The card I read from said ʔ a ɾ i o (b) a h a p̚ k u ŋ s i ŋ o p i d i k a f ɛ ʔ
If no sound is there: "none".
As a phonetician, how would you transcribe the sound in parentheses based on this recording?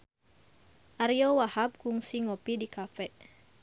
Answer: w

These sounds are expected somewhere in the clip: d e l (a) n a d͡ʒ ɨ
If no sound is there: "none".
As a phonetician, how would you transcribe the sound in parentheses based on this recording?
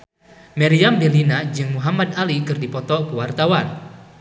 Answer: i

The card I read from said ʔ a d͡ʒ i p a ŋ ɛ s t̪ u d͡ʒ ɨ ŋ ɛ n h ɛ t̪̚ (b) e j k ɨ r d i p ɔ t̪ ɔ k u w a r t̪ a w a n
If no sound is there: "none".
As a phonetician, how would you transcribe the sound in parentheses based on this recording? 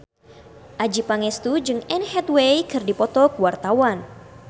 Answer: w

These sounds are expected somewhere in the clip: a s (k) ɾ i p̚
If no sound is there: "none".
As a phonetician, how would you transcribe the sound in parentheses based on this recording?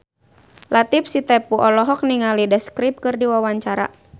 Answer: k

